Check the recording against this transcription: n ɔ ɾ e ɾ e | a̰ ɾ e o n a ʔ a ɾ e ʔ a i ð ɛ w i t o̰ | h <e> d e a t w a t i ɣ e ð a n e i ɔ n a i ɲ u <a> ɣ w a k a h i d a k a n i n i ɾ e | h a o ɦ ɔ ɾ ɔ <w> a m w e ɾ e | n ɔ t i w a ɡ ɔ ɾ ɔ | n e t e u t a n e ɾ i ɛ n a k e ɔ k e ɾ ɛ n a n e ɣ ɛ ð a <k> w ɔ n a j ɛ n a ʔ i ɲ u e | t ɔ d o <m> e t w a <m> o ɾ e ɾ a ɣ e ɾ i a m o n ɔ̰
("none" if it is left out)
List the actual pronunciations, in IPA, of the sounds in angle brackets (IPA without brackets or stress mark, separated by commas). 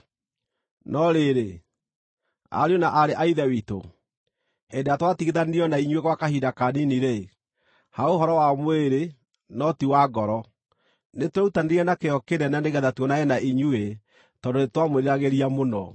e, e, w, t, n, m